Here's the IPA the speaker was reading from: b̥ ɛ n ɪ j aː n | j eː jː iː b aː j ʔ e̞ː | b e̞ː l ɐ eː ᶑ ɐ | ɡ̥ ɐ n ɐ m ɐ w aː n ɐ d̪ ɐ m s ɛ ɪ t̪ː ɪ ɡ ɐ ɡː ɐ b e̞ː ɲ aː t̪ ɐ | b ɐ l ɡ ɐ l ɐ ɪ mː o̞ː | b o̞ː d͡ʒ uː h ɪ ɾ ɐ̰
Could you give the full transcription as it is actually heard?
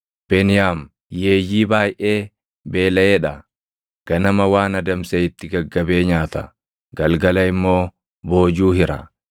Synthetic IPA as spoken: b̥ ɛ n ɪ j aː m | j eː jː iː b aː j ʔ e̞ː | b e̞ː l ɐ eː ᶑ ɐ | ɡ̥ ɐ n ɐ m ɐ w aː n ɐ d̪ ɐ m s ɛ ɪ t̪ː ɪ ɡ ɐ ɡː ɐ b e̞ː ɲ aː t̪ ɐ | ɡ ɐ l ɡ ɐ l ɐ ɪ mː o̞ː | b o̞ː d͡ʒ uː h ɪ ɾ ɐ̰